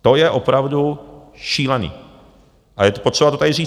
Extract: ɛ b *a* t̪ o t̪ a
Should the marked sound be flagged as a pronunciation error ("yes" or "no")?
no